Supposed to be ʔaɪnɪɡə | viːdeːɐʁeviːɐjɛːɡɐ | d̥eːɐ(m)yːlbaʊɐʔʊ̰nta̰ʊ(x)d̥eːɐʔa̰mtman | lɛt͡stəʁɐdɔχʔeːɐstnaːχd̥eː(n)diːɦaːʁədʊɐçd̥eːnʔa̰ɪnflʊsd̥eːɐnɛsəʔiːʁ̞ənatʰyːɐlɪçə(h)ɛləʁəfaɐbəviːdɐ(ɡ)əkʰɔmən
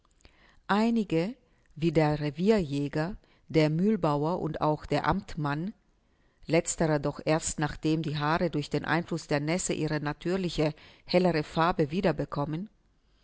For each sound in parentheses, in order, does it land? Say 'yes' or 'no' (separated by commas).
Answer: yes, yes, no, yes, no